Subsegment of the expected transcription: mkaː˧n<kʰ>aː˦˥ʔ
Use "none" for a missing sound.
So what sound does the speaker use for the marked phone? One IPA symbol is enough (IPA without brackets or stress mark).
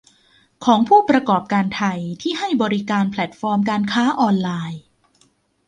kʰ